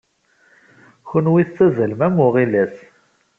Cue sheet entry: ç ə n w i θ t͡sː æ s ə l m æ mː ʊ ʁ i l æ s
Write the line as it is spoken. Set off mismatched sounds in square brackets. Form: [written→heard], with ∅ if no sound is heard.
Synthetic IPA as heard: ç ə n w i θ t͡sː æ [s→z] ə l m æ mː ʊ ʁ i l æ s